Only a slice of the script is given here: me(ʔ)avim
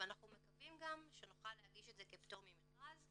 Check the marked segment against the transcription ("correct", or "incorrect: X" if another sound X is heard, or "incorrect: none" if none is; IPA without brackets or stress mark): incorrect: k